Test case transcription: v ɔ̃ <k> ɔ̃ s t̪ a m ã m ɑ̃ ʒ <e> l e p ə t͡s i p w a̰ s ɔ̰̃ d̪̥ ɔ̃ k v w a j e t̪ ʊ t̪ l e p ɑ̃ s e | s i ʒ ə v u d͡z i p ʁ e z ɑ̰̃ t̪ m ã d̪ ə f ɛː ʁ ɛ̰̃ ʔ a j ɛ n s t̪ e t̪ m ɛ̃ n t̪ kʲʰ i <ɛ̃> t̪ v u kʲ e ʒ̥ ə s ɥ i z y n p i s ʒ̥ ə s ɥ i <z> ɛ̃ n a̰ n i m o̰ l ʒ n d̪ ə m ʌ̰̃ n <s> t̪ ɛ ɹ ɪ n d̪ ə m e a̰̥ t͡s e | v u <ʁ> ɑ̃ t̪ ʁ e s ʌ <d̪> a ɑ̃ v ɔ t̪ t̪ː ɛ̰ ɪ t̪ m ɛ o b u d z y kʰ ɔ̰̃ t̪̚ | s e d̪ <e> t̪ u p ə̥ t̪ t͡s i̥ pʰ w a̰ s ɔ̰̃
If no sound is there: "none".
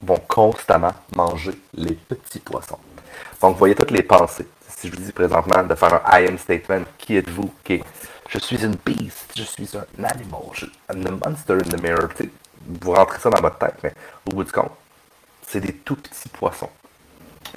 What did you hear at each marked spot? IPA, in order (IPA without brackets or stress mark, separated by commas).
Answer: kʰ, e, ɛ, z, s, ʁ, d̪, e